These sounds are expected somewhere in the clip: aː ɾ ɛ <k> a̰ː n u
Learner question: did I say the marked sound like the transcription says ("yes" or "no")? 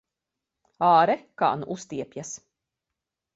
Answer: yes